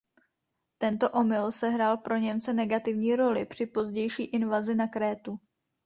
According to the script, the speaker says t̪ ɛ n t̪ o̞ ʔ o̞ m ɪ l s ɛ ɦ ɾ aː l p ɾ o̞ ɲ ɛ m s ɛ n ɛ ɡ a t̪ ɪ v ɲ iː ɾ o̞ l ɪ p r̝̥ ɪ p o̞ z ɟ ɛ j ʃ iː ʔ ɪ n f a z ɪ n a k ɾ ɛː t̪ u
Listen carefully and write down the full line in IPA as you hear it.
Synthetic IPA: t̪ ɛ n t̪ o̞ ʔ o̞ m ɪ l s ɛ ɦ ɾ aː l p ɾ o̞ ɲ ɛ m t͡s ɛ n ɛ ɡ a t̪ ɪ v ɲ iː ɾ o̞ l ɪ p r̝̥ ɪ p o̞ z ɟ ɛ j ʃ iː ʔ ɪ n v a z ɪ n a k ɾ ɛː t̪ u